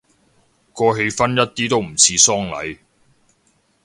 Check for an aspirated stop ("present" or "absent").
present